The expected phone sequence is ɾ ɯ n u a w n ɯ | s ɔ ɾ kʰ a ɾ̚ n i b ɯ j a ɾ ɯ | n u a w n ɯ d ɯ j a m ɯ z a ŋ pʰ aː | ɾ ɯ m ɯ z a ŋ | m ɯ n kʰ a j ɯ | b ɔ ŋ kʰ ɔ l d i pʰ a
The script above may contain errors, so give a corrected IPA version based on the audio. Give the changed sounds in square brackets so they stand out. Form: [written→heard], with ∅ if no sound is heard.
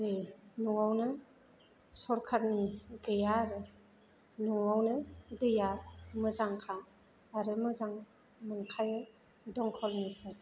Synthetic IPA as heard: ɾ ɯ n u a w n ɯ | s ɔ ɾ kʰ a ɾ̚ n i [b→ɡ] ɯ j a ɾ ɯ | n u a w n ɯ d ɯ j a m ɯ z a ŋ [pʰ→kʰ] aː | ɾ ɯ m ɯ z a ŋ | m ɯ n kʰ a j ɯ | [b→d] ɔ ŋ kʰ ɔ l [d→n] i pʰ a